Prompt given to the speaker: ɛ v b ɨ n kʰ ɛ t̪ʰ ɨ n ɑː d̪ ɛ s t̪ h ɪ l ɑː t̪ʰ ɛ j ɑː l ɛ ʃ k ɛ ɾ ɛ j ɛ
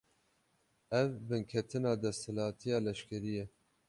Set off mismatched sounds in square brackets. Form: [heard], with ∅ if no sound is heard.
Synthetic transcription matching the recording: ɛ v b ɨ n kʰ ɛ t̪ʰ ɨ n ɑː d̪ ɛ s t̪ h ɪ l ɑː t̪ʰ [i] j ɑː l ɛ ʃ k ɛ ɾ [i] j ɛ